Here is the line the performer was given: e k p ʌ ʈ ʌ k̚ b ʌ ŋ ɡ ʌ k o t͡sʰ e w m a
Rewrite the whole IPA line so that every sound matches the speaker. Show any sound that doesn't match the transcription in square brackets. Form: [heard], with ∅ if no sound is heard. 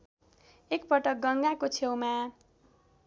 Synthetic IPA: e k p ʌ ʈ ʌ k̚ [ɡ] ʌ ŋ ɡ [a] k o t͡sʰ e w m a